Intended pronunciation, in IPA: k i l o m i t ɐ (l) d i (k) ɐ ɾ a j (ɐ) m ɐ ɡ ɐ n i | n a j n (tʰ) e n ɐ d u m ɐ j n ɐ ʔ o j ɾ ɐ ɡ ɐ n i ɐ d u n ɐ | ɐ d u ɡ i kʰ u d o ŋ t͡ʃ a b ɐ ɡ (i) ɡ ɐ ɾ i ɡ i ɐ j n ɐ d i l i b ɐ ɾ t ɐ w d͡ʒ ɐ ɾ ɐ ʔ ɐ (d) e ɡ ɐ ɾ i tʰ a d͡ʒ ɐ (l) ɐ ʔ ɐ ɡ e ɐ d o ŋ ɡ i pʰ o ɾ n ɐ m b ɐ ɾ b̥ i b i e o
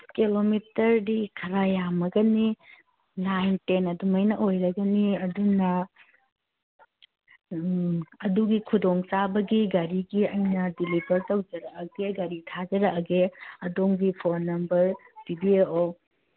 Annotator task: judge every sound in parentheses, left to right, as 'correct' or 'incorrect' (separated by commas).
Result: incorrect, incorrect, incorrect, incorrect, correct, incorrect, incorrect